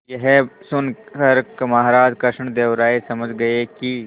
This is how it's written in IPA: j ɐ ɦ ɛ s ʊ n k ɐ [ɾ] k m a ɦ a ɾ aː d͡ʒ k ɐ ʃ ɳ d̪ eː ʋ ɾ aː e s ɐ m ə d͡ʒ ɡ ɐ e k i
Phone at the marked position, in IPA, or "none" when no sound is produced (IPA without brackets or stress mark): ɾ